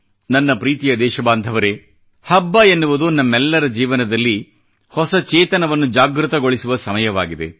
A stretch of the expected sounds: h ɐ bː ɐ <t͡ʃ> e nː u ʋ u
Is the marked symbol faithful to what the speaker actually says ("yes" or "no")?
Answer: no